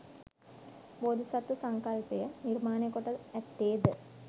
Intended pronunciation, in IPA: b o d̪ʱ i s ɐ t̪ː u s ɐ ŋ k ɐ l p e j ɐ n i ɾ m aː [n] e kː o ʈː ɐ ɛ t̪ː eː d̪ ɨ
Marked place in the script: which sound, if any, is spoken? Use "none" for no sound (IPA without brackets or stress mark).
n